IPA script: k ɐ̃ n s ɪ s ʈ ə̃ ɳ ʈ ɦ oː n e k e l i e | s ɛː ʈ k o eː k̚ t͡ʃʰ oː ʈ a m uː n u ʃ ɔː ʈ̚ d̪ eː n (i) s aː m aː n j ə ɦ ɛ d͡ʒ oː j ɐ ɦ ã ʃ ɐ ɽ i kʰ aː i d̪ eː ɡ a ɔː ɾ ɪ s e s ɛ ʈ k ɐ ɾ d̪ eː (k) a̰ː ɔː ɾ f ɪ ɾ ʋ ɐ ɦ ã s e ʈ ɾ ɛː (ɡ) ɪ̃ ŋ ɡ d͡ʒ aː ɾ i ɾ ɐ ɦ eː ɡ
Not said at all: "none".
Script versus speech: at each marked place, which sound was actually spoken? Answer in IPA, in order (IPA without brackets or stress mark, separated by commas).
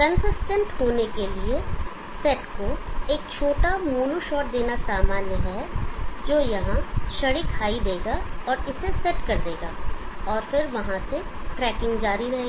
a, ɡ, k